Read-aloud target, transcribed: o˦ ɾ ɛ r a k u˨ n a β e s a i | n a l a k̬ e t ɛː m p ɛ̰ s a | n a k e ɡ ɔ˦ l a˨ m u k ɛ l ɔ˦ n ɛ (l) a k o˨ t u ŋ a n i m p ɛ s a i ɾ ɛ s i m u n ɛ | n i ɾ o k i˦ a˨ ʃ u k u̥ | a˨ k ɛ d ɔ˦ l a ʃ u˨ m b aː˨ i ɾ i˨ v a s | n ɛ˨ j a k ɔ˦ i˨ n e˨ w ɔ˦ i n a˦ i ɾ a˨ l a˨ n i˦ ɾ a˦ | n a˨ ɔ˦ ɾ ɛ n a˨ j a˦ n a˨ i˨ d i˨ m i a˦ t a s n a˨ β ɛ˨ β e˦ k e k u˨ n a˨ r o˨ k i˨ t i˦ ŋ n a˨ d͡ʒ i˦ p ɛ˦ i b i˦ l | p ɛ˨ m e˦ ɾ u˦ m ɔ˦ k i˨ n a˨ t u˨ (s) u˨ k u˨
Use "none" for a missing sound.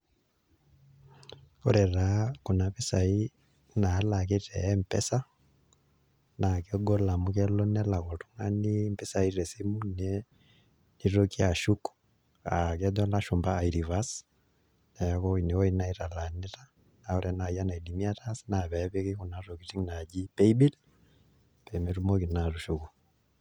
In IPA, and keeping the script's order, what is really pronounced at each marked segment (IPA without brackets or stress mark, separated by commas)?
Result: l, ʃ